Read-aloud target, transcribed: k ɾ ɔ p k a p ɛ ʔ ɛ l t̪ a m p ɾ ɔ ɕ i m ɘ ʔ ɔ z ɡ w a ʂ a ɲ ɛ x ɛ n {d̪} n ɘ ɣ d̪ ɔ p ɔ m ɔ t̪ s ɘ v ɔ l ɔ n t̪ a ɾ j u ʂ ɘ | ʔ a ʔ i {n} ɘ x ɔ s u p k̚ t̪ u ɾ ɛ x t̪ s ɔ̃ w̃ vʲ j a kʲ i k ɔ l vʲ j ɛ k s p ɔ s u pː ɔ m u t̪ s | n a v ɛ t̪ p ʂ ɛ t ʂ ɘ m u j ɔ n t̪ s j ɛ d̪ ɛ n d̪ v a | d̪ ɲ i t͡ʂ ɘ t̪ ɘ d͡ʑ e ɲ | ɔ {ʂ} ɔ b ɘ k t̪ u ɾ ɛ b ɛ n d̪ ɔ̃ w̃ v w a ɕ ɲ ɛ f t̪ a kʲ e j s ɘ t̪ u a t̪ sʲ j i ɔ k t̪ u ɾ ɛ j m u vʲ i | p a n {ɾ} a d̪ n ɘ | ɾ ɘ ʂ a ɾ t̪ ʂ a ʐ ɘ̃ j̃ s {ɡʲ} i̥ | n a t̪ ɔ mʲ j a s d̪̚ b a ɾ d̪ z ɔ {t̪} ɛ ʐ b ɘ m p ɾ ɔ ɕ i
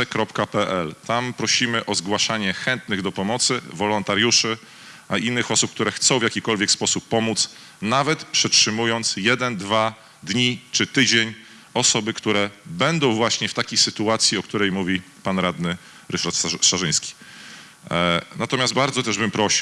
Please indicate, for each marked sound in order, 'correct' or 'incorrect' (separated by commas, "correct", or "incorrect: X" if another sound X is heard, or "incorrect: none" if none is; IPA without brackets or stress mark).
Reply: incorrect: t̪, incorrect: nː, incorrect: s, correct, incorrect: kʲ, correct